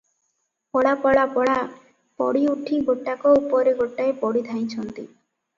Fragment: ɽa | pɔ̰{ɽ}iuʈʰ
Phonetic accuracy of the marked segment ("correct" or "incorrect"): correct